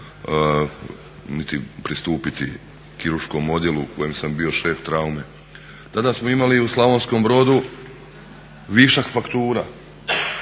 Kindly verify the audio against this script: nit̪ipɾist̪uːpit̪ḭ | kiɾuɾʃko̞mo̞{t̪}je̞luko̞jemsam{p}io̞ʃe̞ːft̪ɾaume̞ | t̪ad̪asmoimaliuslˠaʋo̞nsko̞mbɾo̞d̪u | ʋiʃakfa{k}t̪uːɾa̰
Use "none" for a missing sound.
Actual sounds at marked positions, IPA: d̪, b, k

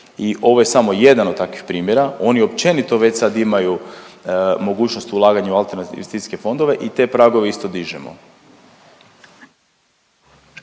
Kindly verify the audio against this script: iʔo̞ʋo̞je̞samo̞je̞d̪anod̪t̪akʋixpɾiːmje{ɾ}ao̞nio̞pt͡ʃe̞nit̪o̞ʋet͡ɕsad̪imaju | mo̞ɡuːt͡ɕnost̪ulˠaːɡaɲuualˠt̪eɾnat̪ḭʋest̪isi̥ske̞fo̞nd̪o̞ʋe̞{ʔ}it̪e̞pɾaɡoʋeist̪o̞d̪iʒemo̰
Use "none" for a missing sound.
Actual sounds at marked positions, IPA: ɾ, ʔ

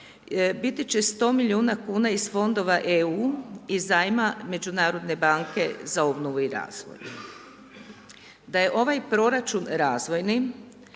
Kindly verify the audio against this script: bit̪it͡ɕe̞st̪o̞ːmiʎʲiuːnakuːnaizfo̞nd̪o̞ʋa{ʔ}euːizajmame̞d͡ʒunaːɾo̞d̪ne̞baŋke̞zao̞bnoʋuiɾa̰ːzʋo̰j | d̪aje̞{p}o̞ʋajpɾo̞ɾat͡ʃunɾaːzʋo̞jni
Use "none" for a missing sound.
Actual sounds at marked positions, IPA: ʔ, ʔ

